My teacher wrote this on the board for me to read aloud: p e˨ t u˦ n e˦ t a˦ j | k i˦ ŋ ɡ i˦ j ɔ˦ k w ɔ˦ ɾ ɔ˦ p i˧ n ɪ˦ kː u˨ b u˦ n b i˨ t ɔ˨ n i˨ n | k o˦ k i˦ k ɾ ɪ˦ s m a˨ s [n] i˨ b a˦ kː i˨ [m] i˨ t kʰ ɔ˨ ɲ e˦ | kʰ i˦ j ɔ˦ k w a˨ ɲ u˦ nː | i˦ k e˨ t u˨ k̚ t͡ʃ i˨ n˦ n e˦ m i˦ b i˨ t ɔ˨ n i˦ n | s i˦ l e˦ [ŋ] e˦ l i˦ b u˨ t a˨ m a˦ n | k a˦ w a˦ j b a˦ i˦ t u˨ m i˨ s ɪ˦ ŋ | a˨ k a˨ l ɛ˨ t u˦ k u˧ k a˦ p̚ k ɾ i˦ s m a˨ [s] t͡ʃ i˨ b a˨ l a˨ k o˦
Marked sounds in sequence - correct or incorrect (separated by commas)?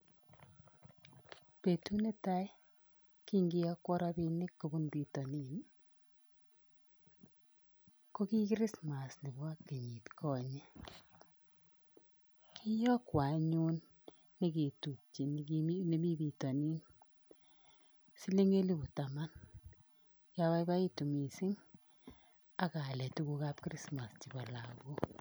correct, incorrect, correct, correct